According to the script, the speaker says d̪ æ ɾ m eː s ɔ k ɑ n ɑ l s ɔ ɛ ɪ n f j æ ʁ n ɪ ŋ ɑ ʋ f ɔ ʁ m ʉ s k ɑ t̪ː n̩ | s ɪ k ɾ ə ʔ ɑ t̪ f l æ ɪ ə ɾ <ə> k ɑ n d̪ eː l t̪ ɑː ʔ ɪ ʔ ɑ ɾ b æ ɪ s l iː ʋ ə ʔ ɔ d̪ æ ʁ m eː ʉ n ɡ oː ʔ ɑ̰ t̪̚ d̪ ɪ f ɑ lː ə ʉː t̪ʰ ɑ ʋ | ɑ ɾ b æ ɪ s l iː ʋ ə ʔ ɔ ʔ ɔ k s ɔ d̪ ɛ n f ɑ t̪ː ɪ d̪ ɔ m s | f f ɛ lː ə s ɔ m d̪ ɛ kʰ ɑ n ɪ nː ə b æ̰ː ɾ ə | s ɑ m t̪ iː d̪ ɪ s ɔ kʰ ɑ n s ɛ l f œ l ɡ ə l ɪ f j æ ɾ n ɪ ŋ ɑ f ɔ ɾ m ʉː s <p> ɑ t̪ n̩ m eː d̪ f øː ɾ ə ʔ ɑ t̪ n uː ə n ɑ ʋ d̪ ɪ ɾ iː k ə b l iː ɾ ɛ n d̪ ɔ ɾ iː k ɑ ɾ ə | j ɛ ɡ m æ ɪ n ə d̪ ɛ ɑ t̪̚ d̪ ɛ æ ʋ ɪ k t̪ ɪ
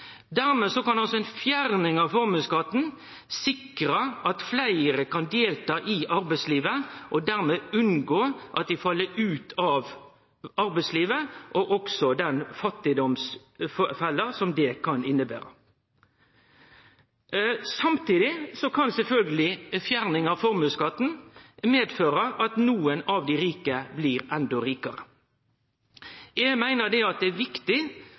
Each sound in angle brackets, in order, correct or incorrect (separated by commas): correct, incorrect